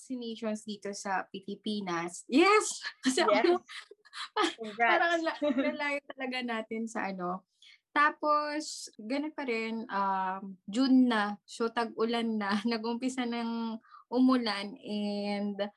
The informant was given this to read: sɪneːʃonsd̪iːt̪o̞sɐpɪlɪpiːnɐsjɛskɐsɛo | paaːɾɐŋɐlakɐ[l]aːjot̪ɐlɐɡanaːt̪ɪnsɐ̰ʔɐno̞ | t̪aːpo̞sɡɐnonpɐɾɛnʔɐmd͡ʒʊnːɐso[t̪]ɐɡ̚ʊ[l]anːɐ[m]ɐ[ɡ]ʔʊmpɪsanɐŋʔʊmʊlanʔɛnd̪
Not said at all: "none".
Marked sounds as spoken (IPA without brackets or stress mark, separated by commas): l, t̪, l, n, ɡ